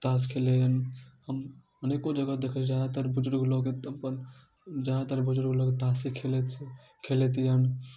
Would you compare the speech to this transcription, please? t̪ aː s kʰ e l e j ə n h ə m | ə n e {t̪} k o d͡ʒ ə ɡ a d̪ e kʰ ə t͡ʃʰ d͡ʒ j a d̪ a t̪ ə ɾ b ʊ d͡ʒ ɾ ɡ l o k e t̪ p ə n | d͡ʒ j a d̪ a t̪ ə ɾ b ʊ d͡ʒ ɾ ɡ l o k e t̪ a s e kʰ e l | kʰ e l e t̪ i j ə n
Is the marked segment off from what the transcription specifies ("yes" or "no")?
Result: yes